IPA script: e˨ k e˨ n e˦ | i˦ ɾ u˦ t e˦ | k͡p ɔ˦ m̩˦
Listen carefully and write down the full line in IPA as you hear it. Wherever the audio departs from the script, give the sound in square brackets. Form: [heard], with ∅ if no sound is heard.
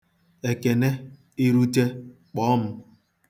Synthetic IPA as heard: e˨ k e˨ n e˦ | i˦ ɾ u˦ t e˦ | k͡p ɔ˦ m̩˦